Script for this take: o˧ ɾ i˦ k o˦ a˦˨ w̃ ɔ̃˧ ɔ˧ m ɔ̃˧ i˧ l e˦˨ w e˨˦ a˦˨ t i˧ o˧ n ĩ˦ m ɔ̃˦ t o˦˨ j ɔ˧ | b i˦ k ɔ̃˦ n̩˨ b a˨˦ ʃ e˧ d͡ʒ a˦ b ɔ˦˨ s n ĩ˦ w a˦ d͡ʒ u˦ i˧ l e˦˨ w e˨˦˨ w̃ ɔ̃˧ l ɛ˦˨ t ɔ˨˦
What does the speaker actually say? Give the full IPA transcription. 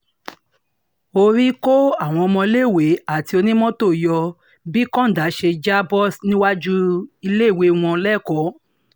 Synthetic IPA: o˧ ɾ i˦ k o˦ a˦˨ w̃ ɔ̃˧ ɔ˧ m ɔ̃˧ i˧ l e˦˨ w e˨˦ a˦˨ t i˧ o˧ n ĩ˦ m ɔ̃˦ t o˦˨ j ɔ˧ | b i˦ k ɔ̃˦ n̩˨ d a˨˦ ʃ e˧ d͡ʒ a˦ b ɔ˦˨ s n ĩ˦ w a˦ d͡ʒ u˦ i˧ l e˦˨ w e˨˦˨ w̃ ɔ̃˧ l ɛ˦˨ k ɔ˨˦